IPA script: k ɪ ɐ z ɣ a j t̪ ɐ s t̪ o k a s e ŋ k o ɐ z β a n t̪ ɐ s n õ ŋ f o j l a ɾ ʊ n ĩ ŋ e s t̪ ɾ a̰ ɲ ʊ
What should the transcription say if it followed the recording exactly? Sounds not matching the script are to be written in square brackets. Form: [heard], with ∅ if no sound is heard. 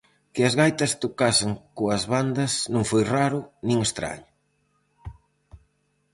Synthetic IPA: k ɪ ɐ z ɣ a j t̪ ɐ s t̪ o k a s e ŋ k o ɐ z β a n [d̪] ɐ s n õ ŋ f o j [r] a ɾ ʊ n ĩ ŋ e s t̪ ɾ a̰ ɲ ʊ